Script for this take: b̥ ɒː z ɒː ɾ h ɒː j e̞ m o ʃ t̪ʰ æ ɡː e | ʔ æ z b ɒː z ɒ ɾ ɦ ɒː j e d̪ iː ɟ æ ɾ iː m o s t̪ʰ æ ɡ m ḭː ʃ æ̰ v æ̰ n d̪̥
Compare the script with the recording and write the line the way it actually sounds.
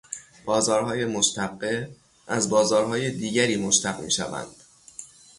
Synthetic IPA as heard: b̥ ɒː z ɒː ɾ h ɒː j e̞ m o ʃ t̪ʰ æ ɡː e | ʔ æ z b ɒː z ɒː ɾ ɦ ɒː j e d̪ iː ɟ æ ɾ iː m o ʃ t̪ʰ æ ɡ m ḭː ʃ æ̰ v æ̰ n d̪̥